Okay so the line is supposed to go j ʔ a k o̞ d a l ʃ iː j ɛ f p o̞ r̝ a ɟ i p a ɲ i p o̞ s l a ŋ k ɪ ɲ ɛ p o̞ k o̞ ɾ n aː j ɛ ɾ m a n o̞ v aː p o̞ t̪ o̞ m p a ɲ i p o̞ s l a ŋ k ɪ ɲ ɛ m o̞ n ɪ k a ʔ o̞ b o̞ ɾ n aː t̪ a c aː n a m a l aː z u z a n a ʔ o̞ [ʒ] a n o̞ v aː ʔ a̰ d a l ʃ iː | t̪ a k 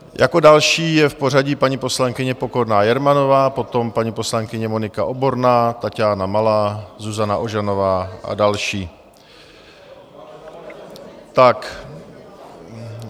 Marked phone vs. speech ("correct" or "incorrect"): correct